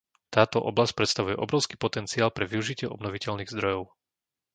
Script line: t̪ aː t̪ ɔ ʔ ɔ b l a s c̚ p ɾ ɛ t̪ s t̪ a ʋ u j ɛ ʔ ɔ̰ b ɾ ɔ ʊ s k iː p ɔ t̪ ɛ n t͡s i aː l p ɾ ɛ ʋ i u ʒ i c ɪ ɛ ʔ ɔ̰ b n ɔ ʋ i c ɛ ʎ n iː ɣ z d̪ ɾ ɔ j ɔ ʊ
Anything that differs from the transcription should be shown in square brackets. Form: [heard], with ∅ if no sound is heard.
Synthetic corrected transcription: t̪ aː t̪ ɔ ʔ ɔ b l a s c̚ p ɾ ɛ t̪ s t̪ a ʋ u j ɛ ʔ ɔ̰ b ɾ ɔ ʊ s k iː p ɔ t̪ ɛ n t͡s i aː l p ɾ ɛ ʋ i u ʒ i c ɪ ɛ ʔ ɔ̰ b n ɔ ʋ i c ɛ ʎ n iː ɣ z d̪ ɾ ɔ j ɔ ʊ